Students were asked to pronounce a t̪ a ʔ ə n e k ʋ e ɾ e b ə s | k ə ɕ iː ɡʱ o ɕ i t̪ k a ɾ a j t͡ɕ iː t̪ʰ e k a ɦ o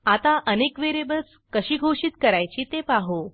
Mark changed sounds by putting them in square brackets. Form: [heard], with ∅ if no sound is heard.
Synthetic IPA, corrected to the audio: a t̪ a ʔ ə n e k ʋ e ɾ e b ə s | k ə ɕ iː ɡʱ o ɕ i t̪ k [ə] ɾ a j t͡ɕ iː [t̪] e [p] a ɦ o